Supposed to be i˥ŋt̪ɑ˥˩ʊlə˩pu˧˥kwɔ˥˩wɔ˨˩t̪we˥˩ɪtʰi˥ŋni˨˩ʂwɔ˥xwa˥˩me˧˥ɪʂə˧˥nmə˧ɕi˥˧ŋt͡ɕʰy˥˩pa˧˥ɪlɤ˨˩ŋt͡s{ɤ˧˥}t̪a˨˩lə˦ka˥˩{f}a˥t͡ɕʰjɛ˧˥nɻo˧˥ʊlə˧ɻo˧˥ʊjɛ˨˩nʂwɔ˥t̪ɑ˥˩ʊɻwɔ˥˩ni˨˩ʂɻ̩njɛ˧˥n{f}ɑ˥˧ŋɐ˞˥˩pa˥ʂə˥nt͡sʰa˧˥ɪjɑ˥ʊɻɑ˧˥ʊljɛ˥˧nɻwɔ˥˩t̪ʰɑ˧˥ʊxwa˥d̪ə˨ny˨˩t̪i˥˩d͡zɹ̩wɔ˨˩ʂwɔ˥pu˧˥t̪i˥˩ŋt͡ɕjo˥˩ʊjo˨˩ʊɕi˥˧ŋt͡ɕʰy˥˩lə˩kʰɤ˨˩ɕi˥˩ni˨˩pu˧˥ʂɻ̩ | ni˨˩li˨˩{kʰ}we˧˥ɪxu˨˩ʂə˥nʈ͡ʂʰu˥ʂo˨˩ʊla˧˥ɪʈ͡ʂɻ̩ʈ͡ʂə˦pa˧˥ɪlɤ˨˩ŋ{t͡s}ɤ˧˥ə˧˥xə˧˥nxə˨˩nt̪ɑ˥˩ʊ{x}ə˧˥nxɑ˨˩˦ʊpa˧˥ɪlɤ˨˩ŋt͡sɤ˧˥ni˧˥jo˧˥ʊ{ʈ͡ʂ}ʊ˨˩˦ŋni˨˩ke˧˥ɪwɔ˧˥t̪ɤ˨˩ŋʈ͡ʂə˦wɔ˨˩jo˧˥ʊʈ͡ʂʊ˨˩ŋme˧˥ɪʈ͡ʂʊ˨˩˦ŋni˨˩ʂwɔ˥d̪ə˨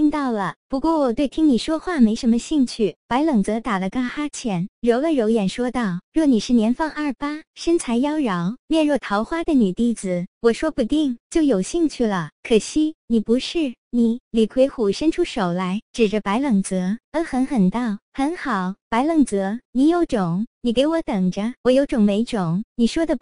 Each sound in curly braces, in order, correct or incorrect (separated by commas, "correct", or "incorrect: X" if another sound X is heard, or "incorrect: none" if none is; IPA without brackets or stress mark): correct, incorrect: x, correct, correct, correct, correct, correct